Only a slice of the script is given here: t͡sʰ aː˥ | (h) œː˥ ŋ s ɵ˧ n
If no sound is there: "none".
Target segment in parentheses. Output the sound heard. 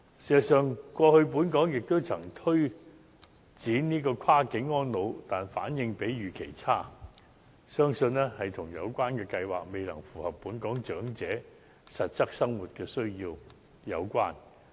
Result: s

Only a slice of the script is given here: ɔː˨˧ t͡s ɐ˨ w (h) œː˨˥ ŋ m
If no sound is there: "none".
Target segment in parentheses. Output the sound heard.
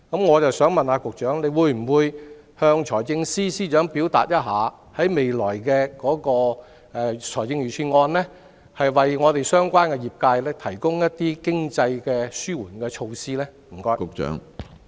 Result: s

